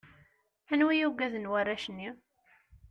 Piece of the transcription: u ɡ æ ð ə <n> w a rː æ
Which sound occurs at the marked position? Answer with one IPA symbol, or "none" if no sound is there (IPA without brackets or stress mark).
n